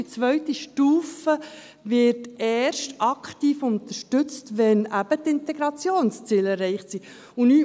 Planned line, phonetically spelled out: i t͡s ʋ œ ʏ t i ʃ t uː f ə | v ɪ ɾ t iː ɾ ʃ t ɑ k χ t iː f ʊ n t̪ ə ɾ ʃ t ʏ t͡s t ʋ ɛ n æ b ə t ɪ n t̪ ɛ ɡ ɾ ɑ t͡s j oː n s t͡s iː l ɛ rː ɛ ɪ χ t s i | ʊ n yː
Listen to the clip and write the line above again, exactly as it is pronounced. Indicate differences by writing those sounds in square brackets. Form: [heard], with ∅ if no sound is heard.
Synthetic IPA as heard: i t͡s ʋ œ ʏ t i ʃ t uː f ə | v ɪ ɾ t [ɛː] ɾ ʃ t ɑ k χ t iː f ʊ n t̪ ə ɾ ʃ t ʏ t͡s t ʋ ɛ n æ b ə t ɪ n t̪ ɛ ɡ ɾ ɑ t͡s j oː n s t͡s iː l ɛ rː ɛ ɪ χ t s i | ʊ n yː